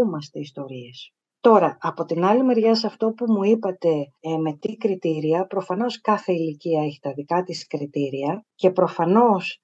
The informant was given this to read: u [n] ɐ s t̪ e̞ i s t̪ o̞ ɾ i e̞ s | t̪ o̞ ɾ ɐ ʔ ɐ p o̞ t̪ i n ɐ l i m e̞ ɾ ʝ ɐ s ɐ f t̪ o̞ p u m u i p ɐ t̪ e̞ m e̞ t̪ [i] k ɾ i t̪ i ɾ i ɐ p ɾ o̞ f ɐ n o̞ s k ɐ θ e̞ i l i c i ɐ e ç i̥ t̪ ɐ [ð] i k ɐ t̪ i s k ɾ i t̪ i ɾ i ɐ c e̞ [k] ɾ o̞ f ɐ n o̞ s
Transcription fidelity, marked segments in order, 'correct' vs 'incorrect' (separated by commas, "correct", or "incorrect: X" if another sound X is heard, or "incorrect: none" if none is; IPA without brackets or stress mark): incorrect: m, correct, correct, incorrect: p